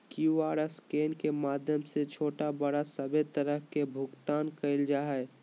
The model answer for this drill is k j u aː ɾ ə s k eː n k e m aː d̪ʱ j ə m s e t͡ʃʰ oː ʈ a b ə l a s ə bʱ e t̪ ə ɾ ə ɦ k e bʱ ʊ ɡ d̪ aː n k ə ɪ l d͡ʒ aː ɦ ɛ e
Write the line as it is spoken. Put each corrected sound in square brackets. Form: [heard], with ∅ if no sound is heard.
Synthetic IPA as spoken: k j u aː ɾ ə s k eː n k e m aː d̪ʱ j ə m s e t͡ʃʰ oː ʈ a b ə [ɽ] a s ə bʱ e t̪ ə ɾ ə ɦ k e bʱ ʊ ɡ [t̪] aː n k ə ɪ l d͡ʒ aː ɦ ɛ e